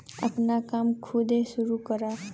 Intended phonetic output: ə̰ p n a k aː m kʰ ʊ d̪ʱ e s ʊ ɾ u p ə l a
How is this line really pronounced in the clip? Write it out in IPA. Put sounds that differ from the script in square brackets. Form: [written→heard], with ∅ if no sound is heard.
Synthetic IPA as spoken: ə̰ p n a k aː m kʰ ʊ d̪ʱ e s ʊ ɾ u [p→k] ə [l→ɾ] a

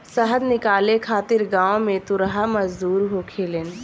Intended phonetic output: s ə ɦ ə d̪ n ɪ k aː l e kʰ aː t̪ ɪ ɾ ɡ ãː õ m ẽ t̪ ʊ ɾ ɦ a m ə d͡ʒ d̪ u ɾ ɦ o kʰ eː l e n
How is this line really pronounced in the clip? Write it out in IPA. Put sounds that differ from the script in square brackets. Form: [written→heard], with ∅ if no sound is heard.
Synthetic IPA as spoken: s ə ɦ ə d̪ n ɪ k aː l e kʰ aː t̪ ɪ ɾ ɡ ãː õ m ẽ t̪ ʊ ɾ ɦ a m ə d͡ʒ d̪ [u→uː] ɾ ɦ o kʰ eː l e n

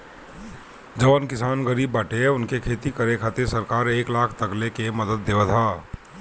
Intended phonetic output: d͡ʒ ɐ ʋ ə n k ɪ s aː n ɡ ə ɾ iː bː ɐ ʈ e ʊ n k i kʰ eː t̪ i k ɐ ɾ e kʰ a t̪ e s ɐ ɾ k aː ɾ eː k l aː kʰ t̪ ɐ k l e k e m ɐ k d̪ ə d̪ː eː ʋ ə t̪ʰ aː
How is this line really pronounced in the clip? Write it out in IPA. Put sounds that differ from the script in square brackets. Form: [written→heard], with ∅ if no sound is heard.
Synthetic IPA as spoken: d͡ʒ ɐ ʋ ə n k ɪ s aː n ɡ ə ɾ iː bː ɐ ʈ e ʊ n k [i→e] kʰ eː t̪ i k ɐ ɾ e kʰ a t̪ e s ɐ ɾ k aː ɾ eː k l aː kʰ t̪ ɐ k l e k e m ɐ [k→∅] d̪ ə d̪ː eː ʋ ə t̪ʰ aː

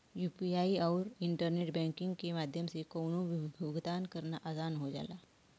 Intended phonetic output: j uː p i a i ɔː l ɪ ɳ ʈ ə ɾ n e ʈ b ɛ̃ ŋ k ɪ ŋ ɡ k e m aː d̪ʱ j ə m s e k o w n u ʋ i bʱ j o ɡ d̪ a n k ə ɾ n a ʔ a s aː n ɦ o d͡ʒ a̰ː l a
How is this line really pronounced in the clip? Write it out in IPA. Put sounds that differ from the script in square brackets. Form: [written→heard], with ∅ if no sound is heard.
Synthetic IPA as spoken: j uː p i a i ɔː [l→ɾ] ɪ ɳ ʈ ə ɾ n e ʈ b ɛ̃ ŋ k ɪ ŋ ɡ k e m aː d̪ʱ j ə m s e k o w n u ʋ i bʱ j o ɡ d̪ a n k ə ɾ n a ʔ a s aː n ɦ o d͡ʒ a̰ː l a

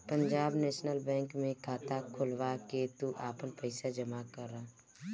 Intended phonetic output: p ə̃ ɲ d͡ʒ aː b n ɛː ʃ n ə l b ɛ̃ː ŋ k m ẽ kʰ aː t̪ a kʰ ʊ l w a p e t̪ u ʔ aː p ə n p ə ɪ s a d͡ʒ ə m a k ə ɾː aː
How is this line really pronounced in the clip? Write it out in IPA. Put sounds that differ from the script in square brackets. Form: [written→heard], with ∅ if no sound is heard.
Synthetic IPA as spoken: p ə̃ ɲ d͡ʒ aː b n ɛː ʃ n ə l b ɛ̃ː ŋ k m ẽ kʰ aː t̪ a kʰ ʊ l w a [p→k] e t̪ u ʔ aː p ə n p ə ɪ s a d͡ʒ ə m a k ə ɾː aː

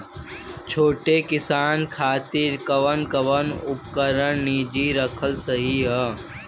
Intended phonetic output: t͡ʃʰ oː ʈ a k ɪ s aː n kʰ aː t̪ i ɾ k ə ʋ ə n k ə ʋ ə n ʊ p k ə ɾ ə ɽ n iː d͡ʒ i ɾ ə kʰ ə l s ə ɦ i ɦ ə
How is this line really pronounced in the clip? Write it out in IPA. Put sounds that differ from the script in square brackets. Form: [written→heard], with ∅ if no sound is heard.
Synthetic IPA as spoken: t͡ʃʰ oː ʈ [a→e] k ɪ s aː n kʰ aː t̪ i ɾ k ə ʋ ə n k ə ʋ ə n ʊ p k ə ɾ ə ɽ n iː d͡ʒ i ɾ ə kʰ ə l s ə ɦ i ɦ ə

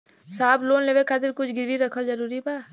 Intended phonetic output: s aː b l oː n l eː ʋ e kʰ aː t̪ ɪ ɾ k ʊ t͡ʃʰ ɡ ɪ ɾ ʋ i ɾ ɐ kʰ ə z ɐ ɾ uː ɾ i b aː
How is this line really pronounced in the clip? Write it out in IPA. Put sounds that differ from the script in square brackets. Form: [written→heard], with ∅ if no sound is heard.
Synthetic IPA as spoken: s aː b l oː n l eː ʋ e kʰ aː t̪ ɪ ɾ k ʊ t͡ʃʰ ɡ ɪ ɾ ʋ i ɾ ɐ kʰ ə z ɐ ɾ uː ɾ i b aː

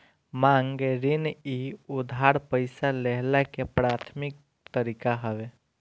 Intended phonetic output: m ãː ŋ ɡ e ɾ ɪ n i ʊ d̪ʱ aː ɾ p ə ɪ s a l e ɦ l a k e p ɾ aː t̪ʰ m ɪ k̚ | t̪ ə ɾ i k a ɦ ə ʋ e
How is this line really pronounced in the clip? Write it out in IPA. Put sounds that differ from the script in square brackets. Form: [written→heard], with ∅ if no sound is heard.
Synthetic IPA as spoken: m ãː ŋ ɡ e ɾ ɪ n i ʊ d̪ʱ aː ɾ p ə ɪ s a l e ɦ l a k e p ɾ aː t̪ʰ m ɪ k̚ | t̪ ə ɾ i k a ɦ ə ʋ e

